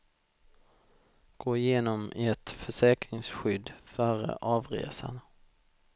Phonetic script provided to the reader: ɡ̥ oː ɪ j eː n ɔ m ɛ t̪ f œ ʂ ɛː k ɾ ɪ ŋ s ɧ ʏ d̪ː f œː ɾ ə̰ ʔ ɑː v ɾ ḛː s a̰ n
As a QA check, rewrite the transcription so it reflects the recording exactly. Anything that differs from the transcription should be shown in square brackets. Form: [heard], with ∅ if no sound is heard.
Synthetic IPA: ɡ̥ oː ɪ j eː n ɔ m ɛ t̪ f œ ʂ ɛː k ɾ ɪ ŋ s ɧ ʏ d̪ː f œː ɾ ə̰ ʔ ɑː v ɾ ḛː s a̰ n